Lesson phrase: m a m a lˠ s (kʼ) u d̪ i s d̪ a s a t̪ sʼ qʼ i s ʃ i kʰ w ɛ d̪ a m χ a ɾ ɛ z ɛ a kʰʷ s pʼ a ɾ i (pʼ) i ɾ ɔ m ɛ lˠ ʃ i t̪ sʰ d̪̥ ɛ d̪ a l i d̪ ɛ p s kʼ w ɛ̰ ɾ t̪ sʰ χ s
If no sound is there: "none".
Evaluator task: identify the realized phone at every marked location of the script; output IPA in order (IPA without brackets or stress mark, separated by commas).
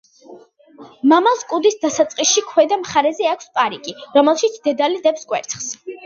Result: kʼ, kʼ